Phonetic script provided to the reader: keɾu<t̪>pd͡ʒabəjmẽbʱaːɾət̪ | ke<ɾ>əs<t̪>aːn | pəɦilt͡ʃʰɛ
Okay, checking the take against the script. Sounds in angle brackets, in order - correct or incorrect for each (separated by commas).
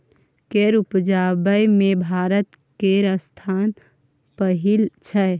incorrect, correct, incorrect